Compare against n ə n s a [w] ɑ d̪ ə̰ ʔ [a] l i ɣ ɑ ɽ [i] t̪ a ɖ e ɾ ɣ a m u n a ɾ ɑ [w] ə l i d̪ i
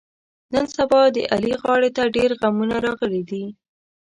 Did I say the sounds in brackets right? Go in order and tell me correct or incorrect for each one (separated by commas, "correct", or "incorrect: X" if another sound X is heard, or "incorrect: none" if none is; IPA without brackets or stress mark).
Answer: incorrect: b, correct, incorrect: e, incorrect: ɣ